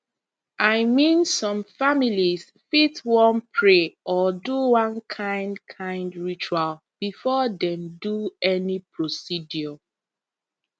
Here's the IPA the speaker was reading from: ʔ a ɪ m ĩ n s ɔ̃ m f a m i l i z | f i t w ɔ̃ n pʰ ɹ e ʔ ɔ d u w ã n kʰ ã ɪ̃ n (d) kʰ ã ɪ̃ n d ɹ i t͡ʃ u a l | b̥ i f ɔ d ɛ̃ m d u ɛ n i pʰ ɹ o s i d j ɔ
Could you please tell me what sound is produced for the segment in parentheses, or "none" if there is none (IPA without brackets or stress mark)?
d